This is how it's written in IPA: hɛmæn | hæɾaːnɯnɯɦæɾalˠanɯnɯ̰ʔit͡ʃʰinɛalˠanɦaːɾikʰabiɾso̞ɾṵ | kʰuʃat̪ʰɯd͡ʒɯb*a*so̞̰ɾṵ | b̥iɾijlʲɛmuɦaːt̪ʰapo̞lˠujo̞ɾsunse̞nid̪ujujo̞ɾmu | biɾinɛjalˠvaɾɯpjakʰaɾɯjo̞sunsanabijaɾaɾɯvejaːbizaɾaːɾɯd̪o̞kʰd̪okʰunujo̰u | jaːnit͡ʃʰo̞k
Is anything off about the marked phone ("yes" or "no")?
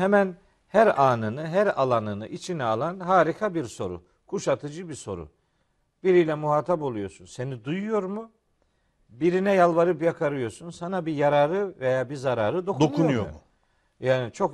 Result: yes